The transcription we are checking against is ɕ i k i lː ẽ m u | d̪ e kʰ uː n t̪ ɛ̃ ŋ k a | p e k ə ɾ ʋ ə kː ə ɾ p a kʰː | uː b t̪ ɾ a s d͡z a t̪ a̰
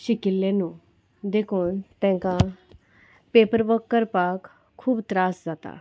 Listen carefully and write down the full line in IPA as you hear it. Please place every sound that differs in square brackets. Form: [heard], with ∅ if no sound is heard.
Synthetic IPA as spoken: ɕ i k i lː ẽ [n] u | d̪ e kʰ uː n t̪ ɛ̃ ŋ k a | p e [p] ə ɾ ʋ ə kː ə ɾ p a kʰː | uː b t̪ ɾ a s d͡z a t̪ a̰